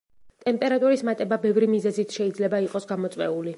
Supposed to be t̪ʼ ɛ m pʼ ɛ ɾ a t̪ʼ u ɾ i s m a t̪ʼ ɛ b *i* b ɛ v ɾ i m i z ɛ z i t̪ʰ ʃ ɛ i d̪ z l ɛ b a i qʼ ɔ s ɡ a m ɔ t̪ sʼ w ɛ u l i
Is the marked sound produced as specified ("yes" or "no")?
no